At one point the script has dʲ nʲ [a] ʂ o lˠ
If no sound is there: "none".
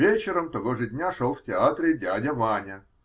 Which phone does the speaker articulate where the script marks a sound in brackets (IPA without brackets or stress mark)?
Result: a